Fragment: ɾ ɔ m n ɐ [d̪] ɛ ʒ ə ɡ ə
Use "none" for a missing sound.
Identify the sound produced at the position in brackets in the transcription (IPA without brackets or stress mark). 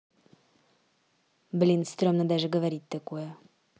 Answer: d̪